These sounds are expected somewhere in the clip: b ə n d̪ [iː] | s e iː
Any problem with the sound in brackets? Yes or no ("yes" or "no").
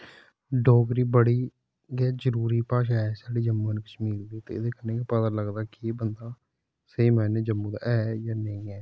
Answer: yes